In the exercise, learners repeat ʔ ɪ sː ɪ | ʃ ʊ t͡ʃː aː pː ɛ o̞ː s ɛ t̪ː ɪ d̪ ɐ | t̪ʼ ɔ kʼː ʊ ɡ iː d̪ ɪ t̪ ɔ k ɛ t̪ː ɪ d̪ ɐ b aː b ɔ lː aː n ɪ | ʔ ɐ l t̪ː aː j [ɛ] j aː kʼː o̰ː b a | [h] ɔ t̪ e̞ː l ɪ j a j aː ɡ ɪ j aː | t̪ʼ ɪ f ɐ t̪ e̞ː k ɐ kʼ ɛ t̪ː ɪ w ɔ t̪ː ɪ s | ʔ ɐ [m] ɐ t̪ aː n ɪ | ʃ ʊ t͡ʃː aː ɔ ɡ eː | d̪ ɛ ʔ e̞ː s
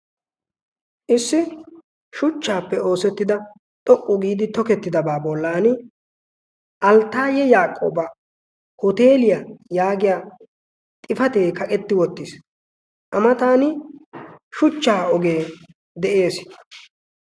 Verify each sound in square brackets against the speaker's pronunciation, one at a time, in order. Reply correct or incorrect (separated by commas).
correct, correct, correct